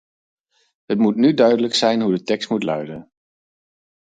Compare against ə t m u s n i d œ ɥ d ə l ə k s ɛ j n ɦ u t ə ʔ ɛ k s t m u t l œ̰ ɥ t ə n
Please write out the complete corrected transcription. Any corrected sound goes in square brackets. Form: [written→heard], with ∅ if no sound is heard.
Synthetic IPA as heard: ə t m u [s→t] n [i→y] d œ ɥ d ə l ə k s ɛ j n ɦ u [t→d] ə [ʔ→t] ɛ k s t m u t l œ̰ ɥ [t→d] ə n